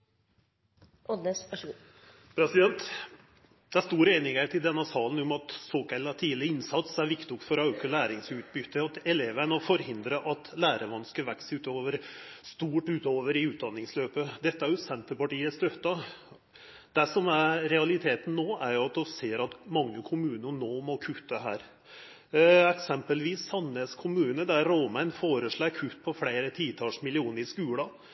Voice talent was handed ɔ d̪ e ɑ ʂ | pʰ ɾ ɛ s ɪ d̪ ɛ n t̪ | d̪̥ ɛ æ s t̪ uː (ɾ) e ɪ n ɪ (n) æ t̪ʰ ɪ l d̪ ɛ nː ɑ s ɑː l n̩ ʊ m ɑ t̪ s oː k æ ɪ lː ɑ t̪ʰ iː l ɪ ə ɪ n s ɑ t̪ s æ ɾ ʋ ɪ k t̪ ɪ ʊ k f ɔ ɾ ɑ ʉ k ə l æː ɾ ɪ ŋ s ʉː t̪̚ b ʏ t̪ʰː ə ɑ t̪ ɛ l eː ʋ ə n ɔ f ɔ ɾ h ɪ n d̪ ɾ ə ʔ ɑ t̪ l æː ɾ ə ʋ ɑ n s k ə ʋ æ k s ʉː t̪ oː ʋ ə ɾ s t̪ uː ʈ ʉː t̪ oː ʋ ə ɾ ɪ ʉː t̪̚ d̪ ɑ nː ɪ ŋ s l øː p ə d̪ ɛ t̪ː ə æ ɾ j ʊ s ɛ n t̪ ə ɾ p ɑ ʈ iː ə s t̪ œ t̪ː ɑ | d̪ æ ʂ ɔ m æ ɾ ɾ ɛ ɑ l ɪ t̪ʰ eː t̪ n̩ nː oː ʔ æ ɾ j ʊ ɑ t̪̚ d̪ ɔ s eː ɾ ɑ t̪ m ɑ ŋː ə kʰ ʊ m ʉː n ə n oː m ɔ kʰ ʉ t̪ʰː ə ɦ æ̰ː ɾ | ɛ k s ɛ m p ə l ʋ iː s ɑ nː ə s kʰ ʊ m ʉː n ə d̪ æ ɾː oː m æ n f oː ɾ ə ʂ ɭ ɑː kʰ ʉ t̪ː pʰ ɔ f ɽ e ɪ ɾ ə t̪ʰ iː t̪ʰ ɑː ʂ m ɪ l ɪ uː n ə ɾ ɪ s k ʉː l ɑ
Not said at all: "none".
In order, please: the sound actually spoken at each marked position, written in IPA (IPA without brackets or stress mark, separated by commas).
ɾ, ŋ